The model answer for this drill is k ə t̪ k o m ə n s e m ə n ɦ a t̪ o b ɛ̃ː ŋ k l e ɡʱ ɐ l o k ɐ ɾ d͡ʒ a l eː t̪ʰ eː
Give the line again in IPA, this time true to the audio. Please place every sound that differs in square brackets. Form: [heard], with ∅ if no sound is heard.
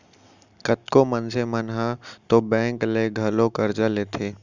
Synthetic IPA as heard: k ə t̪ k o m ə n s e m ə n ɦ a t̪ o b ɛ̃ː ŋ k l e ɡʱ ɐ l o k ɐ ɾ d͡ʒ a l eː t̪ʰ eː